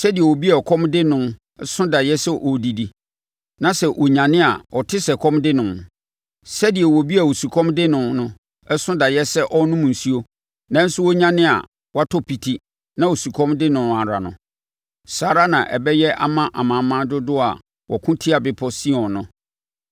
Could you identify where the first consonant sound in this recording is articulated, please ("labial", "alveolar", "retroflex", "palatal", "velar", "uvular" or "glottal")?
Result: alveolar